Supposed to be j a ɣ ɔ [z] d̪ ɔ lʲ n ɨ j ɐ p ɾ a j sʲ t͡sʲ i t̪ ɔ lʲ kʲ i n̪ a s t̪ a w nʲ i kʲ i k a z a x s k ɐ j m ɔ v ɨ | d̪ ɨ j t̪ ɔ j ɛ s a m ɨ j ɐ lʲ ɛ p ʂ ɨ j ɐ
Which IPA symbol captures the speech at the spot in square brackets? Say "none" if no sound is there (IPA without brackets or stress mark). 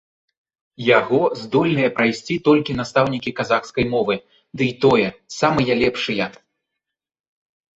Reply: z